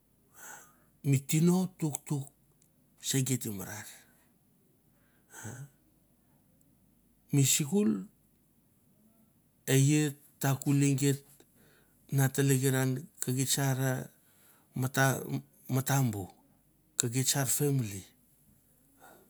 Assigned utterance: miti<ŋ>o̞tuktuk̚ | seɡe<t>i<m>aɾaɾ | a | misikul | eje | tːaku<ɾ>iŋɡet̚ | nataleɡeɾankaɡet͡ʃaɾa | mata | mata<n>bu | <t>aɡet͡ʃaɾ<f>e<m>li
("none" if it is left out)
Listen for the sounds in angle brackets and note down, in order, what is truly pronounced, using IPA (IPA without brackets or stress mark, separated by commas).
n, t, m, l, m, k, f, m